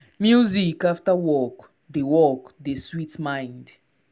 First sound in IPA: m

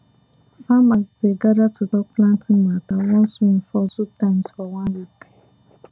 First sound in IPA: f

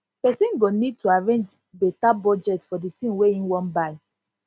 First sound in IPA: p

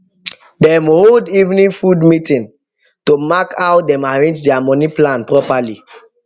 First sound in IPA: d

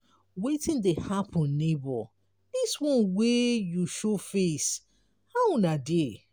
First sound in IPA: w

